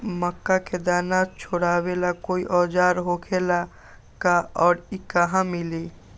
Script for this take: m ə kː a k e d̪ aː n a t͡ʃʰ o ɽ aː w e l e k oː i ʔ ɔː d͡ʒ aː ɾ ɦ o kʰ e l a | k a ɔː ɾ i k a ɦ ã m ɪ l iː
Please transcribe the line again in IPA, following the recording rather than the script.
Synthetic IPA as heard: m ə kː a k e d̪ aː n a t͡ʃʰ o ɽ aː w e l a k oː i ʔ ɔː d͡ʒ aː ɾ ɦ o kʰ e l a | k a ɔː ɾ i k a ɦ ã m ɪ l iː